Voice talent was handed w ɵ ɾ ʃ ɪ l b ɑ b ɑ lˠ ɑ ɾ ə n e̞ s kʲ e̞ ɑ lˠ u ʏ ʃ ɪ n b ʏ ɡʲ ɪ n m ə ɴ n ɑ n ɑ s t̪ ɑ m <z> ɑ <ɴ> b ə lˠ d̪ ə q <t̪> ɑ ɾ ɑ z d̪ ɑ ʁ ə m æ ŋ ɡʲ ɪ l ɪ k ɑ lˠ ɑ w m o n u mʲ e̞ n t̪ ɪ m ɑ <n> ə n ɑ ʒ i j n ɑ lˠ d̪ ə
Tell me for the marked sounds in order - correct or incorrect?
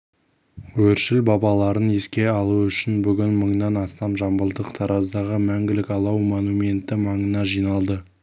incorrect: ʒ, incorrect: m, incorrect: t̪ʰ, incorrect: ɴ

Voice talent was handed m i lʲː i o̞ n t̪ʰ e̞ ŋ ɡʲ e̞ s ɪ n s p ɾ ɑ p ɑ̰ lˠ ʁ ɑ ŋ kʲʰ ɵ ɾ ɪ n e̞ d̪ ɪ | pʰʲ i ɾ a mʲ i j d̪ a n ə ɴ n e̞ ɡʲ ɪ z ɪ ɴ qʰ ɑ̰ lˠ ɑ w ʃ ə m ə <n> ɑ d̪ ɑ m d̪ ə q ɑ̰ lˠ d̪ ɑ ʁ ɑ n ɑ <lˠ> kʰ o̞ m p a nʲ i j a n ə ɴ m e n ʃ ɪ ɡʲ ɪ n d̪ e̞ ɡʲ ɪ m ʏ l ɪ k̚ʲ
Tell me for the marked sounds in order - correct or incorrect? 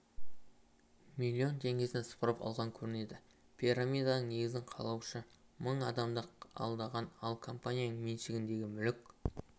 incorrect: ɴ, correct

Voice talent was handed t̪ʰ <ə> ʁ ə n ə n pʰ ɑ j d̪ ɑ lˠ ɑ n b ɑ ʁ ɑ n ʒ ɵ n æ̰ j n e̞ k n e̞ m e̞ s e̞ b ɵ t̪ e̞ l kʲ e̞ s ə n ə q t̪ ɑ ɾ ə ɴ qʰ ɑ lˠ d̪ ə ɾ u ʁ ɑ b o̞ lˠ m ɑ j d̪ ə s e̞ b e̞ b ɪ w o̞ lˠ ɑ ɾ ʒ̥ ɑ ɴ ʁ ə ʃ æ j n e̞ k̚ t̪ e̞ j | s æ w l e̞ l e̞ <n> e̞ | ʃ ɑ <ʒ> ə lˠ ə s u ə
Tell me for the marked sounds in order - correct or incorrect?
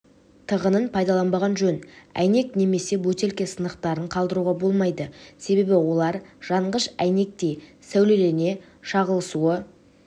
correct, correct, incorrect: ʁ

